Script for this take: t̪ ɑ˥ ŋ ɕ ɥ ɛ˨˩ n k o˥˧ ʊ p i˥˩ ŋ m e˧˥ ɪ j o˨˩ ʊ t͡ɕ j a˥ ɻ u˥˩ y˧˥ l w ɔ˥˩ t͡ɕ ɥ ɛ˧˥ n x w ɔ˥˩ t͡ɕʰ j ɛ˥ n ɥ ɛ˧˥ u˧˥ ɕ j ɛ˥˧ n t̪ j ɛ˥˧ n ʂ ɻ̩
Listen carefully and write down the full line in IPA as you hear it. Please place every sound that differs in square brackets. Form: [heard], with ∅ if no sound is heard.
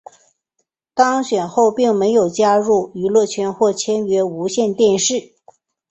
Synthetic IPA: t̪ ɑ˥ ŋ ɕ ɥ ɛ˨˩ n [x] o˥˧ ʊ p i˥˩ ŋ m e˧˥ ɪ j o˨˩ ʊ t͡ɕ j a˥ ɻ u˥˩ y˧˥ l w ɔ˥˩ [t͡ɕʰ] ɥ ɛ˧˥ n x w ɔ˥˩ t͡ɕʰ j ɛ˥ n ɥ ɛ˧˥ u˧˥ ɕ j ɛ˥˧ n t̪ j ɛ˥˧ n ʂ ɻ̩